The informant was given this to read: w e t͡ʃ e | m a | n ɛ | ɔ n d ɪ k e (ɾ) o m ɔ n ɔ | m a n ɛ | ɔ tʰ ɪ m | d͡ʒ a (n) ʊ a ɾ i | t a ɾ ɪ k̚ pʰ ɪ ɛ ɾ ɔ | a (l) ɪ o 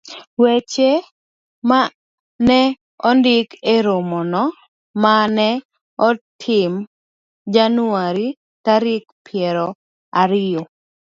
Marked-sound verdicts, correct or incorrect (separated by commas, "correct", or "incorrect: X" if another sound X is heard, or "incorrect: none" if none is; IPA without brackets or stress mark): correct, correct, incorrect: ɾ